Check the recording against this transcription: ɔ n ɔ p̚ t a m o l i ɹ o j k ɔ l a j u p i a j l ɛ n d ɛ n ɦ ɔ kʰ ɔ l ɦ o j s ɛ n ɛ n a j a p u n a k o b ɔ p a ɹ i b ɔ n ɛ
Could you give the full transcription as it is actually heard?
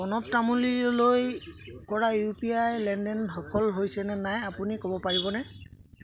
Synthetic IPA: ɔ n ɔ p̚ t a m u l i l o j k ɔ ɹ a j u p i a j l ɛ n d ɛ n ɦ ɔ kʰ ɔ l ɦ o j s ɛ n ɛ n a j a p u n i k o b ɔ p a ɹ i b ɔ n ɛ